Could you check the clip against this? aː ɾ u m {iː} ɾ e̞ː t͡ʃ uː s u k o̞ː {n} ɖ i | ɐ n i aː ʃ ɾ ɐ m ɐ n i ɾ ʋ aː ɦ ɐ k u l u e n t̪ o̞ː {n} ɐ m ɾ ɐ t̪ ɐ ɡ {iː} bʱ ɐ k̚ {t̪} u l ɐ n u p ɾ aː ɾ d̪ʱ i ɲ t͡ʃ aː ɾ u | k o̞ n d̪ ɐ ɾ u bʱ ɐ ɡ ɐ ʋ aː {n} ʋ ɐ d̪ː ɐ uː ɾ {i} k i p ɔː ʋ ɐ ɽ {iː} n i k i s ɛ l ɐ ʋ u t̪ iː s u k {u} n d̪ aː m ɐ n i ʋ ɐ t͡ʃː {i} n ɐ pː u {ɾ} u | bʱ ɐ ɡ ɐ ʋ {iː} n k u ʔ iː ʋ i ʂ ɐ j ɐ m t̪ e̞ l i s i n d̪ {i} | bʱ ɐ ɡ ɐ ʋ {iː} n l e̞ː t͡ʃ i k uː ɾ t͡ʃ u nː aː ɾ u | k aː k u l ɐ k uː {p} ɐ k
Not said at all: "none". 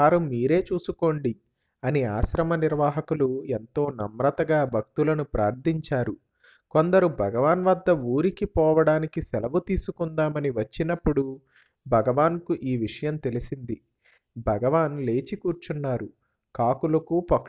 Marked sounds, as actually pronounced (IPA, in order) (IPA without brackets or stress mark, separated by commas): iː, ɳ, n, aː, t̪, n, i, aː, u, i, ɽ, aː, i, aː, p